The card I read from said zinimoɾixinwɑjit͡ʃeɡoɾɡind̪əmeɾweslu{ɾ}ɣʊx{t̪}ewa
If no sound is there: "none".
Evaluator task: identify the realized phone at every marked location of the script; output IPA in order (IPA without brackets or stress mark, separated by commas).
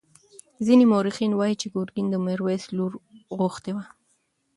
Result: ɾ, t̪